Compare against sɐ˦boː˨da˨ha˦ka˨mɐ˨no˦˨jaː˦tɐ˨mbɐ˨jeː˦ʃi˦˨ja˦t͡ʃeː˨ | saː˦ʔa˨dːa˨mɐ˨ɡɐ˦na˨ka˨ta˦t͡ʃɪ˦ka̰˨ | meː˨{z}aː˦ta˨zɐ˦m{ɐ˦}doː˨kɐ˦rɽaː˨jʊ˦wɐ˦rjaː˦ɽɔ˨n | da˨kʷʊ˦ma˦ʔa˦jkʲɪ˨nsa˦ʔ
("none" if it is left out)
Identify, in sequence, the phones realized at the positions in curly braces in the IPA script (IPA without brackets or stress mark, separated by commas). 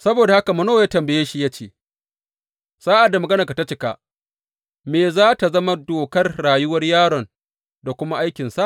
z, a˦